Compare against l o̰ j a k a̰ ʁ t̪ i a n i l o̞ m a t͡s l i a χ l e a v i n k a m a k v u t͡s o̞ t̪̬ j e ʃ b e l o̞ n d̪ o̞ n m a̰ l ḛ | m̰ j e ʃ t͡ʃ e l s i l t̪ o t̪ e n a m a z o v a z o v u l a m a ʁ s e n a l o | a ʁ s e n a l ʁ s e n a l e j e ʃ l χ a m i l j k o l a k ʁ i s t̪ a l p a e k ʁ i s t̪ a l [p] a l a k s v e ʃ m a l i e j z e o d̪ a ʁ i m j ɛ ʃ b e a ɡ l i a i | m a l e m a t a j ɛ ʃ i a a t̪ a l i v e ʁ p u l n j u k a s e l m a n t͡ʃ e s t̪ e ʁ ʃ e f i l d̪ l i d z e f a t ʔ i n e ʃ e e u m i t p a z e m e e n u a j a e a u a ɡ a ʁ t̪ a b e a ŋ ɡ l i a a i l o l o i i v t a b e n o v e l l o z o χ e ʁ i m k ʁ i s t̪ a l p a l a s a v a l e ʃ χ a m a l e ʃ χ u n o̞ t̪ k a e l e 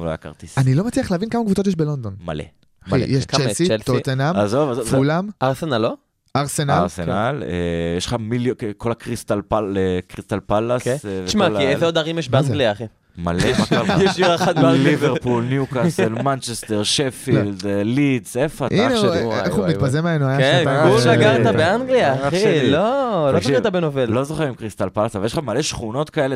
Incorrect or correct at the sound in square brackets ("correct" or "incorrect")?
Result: correct